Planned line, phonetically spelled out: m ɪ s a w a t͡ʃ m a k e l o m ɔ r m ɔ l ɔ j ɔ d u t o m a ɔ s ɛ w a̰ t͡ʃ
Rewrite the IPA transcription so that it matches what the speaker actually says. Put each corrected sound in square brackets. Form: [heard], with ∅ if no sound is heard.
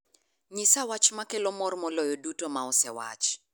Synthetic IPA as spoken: [ɲ] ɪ s a w a t͡ʃ m a k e l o m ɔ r m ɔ l ɔ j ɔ d u t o m a ɔ s ɛ w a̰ t͡ʃ

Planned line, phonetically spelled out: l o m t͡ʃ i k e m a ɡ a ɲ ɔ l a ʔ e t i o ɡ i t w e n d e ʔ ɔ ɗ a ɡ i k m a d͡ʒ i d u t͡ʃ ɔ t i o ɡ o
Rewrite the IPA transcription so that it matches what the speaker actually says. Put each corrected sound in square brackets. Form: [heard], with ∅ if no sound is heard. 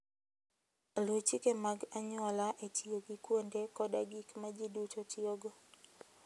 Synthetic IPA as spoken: l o [∅] t͡ʃ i k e m a ɡ a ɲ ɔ l a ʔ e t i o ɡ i [k] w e n d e [k] ɔ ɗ a ɡ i k m a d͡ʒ i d u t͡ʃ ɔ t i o ɡ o

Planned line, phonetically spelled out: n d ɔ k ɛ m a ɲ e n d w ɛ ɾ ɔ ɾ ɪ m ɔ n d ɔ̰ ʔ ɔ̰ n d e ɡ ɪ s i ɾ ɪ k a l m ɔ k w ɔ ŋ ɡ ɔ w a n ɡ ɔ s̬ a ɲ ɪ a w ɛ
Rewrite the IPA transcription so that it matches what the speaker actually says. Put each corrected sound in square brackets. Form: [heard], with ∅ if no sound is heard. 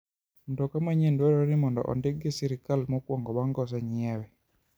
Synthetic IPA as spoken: n d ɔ k [a] m a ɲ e n d w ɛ ɾ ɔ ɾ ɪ m ɔ n d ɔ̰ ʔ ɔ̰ n d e ɡ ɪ s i ɾ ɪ k a l m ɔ k w ɔ ŋ ɡ ɔ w a [ŋ] ɡ ɔ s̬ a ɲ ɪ [ɛ] w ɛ

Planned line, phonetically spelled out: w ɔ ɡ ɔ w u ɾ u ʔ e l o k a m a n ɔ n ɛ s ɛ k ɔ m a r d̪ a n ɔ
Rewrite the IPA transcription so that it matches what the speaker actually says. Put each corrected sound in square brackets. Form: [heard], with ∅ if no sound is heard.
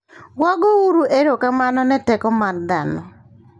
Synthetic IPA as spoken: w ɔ ɡ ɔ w u ɾ u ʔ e [ɾ] o k a m a n ɔ n ɛ [t] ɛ k ɔ m a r d̪ a n ɔ

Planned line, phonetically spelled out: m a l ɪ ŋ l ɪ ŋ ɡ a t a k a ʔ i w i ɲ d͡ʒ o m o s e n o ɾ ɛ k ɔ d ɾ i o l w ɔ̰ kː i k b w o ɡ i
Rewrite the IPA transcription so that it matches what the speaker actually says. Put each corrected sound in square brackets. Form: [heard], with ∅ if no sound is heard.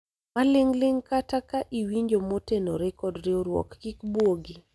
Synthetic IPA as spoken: m a l ɪ ŋ l ɪ ŋ [k] a t a k a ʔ i w i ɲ d͡ʒ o m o [t] e n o ɾ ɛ k ɔ d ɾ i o [ɾ] w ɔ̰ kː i k b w o ɡ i

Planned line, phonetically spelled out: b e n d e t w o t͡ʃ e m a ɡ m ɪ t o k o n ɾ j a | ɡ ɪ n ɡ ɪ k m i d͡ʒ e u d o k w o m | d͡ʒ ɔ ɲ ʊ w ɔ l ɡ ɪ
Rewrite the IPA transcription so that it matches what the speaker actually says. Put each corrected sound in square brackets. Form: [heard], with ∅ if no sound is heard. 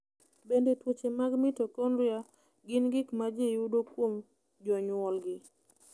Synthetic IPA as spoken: b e n d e t w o t͡ʃ e m a ɡ m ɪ t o k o n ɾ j a | ɡ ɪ n ɡ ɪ k m [a] d͡ʒ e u d o k w o m | d͡ʒ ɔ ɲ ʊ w ɔ l ɡ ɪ

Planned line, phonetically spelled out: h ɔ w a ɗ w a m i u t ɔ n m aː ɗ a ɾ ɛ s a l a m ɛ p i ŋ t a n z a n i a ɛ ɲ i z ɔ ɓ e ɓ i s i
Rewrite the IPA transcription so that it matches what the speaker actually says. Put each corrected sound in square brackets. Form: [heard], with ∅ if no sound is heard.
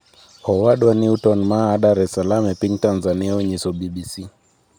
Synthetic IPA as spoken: h ɔ w a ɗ w a [n] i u t ɔ n m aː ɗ a ɾ ɛ s a l a m ɛ p i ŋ t a n z a n i a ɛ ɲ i [s] ɔ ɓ [i] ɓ i s i

